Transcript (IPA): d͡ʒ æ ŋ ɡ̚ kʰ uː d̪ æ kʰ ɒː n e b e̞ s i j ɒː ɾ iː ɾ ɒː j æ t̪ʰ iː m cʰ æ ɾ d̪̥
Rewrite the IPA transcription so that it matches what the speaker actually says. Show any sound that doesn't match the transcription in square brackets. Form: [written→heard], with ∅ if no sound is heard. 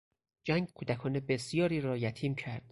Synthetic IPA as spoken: d͡ʒ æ ŋ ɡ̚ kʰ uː d̪ æ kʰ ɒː n e b e̞ s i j ɒː ɾ iː ɾ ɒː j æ t̪ʰ iː m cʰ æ ɾ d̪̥